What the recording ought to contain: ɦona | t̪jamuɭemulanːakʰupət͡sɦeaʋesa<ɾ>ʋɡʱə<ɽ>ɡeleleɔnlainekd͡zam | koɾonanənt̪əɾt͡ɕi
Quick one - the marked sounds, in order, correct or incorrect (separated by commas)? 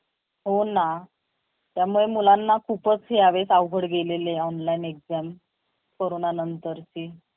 incorrect, correct